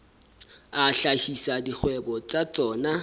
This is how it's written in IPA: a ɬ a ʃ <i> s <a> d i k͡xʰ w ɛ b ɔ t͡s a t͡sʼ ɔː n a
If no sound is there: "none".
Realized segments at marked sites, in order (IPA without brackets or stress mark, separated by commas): i, a